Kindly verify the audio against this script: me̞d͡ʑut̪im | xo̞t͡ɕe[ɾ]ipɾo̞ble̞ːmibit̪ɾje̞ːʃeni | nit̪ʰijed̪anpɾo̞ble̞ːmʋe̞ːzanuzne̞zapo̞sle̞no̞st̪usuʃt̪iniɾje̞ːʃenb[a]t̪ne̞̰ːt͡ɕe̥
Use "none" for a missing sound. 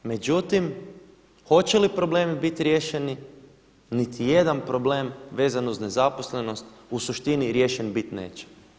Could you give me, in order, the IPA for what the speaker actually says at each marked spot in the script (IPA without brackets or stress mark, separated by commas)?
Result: l, i